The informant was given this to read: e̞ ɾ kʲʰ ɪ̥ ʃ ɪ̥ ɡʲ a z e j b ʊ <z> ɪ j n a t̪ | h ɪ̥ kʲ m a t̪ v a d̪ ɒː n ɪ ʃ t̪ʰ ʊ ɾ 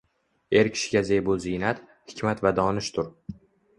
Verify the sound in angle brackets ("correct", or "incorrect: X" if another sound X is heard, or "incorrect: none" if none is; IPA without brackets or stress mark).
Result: correct